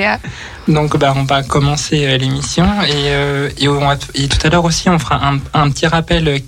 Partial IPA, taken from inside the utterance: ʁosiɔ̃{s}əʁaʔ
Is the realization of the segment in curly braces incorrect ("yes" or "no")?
yes